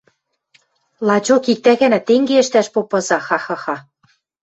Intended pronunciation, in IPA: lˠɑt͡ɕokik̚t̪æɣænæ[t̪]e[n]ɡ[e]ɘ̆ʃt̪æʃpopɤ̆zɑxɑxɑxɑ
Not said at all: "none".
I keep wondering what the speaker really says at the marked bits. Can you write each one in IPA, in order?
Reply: t̪, ŋ, e

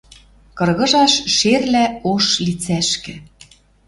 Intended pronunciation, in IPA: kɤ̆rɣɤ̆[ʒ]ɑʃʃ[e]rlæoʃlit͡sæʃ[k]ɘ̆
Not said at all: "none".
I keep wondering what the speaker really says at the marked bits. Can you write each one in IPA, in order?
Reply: ʒ, e, k

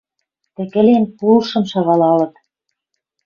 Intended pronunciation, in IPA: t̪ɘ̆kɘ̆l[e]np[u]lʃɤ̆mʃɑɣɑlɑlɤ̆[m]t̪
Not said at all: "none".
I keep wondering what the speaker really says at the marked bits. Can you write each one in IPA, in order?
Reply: e, u, none

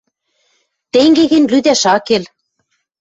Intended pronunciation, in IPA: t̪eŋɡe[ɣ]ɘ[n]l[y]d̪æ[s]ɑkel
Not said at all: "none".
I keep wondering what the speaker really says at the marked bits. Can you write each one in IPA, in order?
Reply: ɣ, n, y, ʃ

